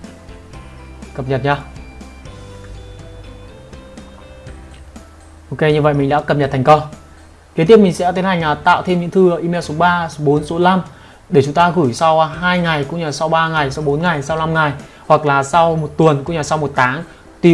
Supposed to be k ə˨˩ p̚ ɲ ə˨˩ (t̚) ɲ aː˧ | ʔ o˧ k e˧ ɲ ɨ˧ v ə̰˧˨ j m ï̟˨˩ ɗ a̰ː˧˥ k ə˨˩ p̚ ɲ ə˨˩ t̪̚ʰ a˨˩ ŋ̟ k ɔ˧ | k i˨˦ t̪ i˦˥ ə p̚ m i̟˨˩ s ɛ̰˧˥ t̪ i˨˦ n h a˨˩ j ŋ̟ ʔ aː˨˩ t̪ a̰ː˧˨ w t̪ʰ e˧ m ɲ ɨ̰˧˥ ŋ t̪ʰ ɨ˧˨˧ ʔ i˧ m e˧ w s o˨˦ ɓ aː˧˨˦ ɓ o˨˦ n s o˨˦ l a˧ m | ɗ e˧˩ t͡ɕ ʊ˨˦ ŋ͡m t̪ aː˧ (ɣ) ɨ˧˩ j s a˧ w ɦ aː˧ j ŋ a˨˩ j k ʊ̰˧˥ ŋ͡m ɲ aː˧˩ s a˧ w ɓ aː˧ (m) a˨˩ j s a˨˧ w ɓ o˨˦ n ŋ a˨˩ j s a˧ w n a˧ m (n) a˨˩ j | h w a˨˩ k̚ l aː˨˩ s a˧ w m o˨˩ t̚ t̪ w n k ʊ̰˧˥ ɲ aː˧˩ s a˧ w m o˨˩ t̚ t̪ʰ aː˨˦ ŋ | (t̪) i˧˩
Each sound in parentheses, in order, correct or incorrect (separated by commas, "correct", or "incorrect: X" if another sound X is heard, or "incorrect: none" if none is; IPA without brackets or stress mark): correct, correct, incorrect: ŋ, incorrect: ŋ, correct